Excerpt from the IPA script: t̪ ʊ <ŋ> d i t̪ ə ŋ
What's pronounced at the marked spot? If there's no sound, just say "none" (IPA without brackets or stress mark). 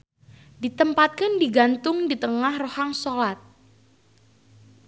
ŋ